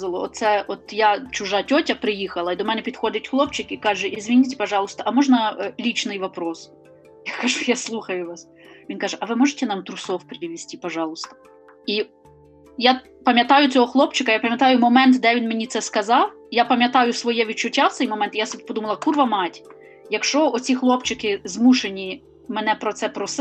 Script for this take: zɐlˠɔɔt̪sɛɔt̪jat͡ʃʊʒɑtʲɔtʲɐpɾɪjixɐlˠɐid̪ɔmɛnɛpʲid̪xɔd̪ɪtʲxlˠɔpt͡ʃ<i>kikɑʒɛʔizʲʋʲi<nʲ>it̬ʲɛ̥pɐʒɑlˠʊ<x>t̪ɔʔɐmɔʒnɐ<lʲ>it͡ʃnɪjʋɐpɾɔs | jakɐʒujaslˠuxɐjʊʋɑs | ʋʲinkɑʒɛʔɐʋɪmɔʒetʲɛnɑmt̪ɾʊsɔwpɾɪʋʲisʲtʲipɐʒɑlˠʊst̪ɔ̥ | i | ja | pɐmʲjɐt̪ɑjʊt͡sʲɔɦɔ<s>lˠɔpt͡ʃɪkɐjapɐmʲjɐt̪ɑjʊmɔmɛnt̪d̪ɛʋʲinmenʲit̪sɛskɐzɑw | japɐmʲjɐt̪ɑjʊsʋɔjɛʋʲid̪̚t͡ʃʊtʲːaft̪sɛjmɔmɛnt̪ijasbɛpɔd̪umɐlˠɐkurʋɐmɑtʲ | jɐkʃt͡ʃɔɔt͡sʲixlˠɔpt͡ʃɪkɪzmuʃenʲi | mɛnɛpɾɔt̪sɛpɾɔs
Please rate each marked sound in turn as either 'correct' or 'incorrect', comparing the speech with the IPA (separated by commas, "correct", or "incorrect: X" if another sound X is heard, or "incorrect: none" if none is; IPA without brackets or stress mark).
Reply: incorrect: ɪ, correct, incorrect: s, correct, incorrect: x